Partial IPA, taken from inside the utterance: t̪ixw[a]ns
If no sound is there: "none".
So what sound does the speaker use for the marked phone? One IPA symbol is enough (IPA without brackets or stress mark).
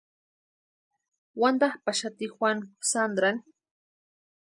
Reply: a